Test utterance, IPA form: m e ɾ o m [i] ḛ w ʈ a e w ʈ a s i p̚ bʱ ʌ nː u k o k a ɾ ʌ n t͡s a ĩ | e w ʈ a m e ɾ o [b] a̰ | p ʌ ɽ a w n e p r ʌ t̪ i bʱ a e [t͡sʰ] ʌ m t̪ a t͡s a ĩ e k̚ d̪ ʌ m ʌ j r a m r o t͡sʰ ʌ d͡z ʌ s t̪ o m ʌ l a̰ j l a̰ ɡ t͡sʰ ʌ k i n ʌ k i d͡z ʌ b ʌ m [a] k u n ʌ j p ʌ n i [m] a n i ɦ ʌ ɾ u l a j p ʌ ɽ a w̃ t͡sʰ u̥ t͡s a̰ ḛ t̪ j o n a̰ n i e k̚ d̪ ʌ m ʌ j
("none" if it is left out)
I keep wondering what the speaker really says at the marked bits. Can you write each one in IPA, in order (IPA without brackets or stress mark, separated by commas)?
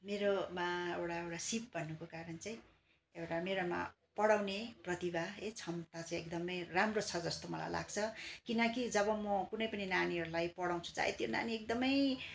a, m, t͡sʰ, ʌ, n